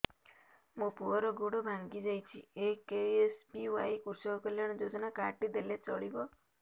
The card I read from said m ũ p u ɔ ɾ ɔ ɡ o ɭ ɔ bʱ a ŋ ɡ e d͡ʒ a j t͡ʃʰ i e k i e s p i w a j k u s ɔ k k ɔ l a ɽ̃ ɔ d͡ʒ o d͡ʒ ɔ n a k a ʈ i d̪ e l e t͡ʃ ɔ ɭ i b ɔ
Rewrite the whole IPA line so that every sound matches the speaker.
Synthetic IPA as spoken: m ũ p u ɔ ɾ ɔ ɡ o ɽ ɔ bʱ a ŋ ɡ i d͡ʒ a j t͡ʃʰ i e k e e s p i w a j k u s ɔ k k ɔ l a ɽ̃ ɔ d͡ʒ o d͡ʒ ɔ n a k a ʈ i d̪ e l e t͡ʃ ɔ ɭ i b ɔ

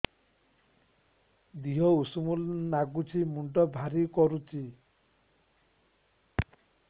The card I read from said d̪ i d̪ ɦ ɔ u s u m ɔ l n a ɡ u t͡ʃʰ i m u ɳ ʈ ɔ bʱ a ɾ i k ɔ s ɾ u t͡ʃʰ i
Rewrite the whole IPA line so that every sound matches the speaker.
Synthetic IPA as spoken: d̪ i ɦ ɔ u s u m u l n a ɡ u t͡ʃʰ i m u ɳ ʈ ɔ bʱ a ɾ i k ɔ ɾ u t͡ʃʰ i

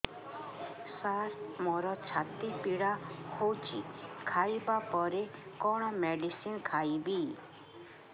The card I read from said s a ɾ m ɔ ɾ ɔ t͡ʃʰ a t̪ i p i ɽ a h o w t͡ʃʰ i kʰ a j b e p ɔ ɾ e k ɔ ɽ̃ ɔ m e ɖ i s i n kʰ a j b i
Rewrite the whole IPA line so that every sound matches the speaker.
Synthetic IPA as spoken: s a ɾ m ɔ ɾ ɔ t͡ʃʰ a t̪ i p i ɽ a h o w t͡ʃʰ i kʰ a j b a p ɔ ɾ e k ɔ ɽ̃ ɔ m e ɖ i s i n kʰ a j b i

